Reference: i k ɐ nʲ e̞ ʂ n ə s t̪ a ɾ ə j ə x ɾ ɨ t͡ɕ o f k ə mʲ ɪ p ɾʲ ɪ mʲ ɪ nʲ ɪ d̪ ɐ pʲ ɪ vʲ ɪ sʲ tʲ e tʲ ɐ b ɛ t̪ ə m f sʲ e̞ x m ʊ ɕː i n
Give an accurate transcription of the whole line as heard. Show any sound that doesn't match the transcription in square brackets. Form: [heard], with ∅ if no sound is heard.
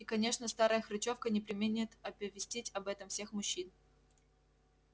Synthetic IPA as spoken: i k ɐ nʲ e̞ ʂ n ə s t̪ a ɾ ə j ə x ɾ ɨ t͡ɕ o f k ə [nʲ] ɪ p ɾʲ ɪ mʲ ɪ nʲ ɪ [t̪] ɐ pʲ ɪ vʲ ɪ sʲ tʲ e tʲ ɐ b ɛ t̪ ə m f sʲ e̞ x m ʊ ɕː i n